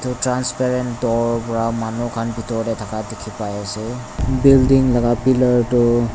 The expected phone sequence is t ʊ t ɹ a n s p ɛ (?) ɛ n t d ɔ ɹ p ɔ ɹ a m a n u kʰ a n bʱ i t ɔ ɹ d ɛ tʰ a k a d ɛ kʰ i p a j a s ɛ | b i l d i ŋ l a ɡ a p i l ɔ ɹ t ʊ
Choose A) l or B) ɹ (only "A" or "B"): B